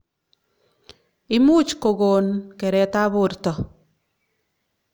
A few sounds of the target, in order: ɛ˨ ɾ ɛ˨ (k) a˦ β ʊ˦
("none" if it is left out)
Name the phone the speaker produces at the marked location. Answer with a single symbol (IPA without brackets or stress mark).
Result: t